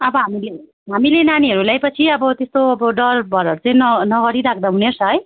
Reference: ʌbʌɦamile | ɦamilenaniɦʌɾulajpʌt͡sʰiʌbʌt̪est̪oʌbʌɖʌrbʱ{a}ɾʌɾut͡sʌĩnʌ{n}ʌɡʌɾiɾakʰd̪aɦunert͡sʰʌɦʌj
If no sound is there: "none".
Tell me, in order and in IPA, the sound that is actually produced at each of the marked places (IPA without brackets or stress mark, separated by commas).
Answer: ʌ, n